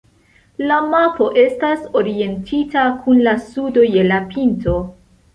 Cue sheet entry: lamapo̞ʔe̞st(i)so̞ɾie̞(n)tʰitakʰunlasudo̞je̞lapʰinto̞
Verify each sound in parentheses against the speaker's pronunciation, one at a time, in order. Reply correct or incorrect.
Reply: incorrect: a, correct

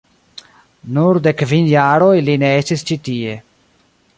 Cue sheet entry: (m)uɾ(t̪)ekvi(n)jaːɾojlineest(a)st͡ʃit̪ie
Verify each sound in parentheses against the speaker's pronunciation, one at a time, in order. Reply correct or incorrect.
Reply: incorrect: n, incorrect: d̪, correct, incorrect: i

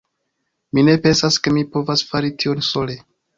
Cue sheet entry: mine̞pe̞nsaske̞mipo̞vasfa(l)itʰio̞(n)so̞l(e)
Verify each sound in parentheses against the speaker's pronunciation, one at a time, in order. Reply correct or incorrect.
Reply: incorrect: ɾ, correct, correct

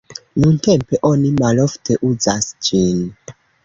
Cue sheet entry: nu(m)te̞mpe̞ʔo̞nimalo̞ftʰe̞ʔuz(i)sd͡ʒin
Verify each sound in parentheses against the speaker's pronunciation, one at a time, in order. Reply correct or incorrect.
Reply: incorrect: n, incorrect: a

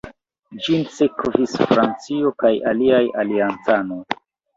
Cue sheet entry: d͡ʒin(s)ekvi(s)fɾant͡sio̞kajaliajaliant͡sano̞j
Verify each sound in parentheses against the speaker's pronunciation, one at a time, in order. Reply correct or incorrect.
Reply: correct, correct

